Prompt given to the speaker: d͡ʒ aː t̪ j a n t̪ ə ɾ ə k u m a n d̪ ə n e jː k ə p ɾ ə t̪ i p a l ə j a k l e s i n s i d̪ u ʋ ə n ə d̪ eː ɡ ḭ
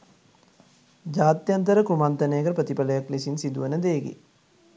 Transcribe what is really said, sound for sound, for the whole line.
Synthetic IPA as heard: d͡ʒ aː t̪ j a n t̪ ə ɾ ə k u m a n t̪ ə n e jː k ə p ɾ ə t̪ i p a l ə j a k l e s i n s i d̪ u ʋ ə n ə d̪ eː ɡ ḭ

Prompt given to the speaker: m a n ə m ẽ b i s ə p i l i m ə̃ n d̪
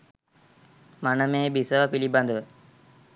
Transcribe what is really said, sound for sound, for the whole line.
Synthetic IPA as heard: m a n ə m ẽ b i s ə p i l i b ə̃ n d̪

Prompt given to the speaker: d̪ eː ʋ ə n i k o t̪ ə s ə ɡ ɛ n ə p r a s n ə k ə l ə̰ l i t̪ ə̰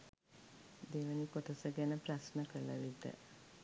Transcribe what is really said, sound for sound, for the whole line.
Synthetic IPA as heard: d̪ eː ʋ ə n i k o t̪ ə s ə ɡ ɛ n ə p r a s n ə k ə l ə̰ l i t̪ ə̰

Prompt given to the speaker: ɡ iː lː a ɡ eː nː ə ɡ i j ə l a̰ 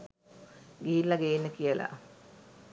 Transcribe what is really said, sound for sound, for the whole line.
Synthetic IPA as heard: ɡ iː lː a ɡ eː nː ə k i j ə l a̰

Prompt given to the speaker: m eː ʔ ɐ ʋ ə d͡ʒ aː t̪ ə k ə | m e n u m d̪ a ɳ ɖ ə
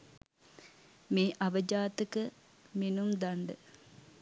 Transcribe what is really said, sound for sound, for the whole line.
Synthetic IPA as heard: m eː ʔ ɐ ʋ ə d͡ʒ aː t̪ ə k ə | m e n u m d̪ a ɳ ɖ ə

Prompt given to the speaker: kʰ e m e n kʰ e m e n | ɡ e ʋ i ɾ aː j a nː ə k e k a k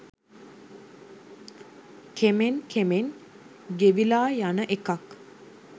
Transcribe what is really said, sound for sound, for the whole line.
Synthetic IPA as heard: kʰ e m e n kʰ e m e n | ɡ e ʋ i l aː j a n ə ʔ e k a k

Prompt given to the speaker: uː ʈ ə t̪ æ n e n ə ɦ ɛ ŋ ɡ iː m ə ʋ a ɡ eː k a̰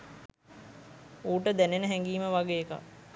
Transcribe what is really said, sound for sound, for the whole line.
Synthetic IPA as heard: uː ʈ ə d̪ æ n e n ə ɦ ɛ ŋ ɡ iː m ə ʋ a ɡ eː k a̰

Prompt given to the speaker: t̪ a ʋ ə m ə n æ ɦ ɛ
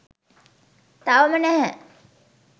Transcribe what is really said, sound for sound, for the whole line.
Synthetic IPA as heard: t̪ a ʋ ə m ə n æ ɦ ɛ

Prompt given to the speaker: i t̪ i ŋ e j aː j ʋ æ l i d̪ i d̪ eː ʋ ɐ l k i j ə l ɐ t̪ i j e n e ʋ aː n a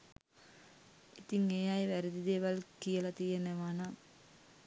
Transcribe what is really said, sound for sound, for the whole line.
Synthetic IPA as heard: i t̪ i ŋ e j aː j ʋ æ ɾ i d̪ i d̪ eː ʋ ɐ l k i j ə l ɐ t̪ i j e n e ʋ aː n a

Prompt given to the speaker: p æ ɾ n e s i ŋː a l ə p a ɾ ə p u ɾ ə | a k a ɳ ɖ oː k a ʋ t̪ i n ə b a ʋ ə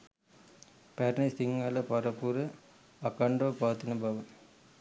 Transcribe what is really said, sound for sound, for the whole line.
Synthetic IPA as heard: p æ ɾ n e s i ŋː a l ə p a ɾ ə p u ɾ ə | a k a ɳ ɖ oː p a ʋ t̪ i n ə b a ʋ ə

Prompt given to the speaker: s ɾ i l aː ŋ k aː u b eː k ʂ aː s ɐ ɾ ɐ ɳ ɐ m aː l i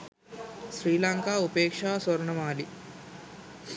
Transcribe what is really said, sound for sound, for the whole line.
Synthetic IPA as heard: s ɾ iː l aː ŋ k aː u p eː k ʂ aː s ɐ ɾ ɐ ɳ ɐ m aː l i

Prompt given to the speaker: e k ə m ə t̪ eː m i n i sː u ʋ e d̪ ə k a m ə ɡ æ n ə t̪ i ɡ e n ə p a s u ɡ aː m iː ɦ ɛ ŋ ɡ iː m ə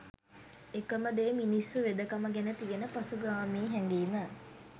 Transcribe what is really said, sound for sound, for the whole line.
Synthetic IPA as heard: e k ə m ə d̪ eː m i n i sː u ʋ e d̪ ə k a m ə ɡ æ n ə t̪ i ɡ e n ə p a s u ɡ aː m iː ɦ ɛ ŋ ɡ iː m ə

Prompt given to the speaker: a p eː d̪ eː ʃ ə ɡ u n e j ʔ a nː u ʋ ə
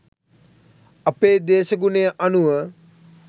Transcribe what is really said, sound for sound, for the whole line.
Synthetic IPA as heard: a p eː d̪ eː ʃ ə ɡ u n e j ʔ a n u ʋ ə

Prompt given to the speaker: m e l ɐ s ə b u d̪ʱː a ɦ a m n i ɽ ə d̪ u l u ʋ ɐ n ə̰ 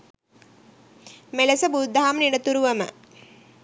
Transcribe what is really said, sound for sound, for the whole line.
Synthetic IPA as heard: m e l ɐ s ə b u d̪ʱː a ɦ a m n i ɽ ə t̪ u ɾ u ʋ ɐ m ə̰

